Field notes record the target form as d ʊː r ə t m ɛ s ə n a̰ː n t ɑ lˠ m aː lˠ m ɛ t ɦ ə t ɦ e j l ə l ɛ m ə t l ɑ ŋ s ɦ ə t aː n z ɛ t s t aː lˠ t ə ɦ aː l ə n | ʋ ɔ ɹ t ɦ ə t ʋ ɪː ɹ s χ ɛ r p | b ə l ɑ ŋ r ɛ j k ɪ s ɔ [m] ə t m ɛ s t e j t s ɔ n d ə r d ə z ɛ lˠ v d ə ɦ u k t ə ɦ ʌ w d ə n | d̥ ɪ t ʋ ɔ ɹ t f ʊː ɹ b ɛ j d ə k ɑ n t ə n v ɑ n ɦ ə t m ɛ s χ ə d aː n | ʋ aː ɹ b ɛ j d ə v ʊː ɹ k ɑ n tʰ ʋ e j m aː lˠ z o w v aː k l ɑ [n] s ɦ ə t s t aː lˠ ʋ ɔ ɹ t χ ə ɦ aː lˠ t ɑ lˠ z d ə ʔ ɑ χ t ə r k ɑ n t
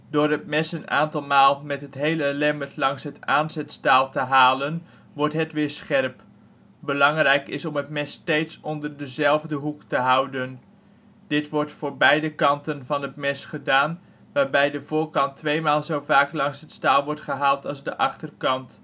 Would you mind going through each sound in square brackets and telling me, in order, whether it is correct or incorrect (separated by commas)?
correct, incorrect